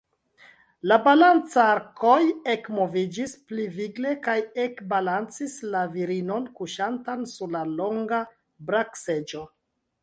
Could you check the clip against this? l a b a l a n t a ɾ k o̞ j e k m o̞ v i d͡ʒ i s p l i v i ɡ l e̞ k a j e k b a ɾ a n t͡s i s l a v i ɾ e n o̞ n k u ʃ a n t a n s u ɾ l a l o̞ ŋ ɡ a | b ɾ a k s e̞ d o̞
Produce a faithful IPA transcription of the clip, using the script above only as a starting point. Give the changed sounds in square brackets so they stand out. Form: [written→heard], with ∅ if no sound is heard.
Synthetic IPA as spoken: l a b a l a n [t→t͡s] a ɾ k o̞ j e k m o̞ v i d͡ʒ i s p l i v i ɡ l e̞ k a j e k b a [ɾ→l] a n t͡s i s l a v i ɾ [e→i] n o̞ n k u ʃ a n t a n s u ɾ l a l o̞ ŋ ɡ a | b ɾ a k s e̞ [d→d͡ʒ] o̞